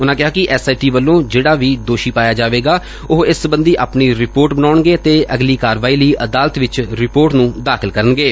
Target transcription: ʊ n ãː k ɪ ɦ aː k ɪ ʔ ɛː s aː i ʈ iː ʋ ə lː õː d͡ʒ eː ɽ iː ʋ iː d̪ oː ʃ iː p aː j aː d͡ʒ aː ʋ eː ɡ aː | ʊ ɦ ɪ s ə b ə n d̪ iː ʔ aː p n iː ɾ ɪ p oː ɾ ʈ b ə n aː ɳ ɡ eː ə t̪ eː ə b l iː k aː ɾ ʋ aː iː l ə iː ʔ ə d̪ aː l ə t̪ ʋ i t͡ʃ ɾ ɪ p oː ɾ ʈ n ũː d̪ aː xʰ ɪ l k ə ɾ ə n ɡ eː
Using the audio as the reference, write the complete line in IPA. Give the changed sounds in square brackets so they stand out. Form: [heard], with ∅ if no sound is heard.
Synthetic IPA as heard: ʊ n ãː k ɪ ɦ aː k ɪ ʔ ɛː s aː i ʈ iː ʋ ə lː õː d͡ʒ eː ɽ [aː] ʋ iː d̪ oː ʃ iː p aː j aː d͡ʒ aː ʋ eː ɡ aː | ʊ ɦ ɪ s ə b ə n d̪ iː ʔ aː p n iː ɾ ɪ p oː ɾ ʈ b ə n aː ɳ ɡ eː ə t̪ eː ə [ɡ] l iː k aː ɾ ʋ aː iː l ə iː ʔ ə d̪ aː l ə t̪ ʋ [ɪ] t͡ʃ ɾ ɪ p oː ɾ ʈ n ũː d̪ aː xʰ ɪ l k ə ɾ ə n ɡ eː